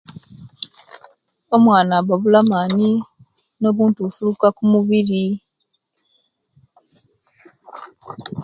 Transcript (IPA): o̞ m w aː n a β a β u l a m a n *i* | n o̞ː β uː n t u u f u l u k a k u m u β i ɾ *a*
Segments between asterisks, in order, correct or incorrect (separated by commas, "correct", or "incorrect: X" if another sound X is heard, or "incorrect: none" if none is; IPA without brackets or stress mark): correct, incorrect: i